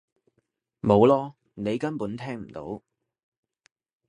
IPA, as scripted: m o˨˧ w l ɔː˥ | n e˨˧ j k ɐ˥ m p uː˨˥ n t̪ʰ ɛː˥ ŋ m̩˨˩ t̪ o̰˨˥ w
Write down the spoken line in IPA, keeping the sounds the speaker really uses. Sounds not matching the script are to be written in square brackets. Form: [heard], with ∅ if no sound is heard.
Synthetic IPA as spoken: m o˨˧ w l ɔː˥ | n e˨˧ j k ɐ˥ [n] p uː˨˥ n t̪ʰ ɛː˥ ŋ m̩˨˩ t̪ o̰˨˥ w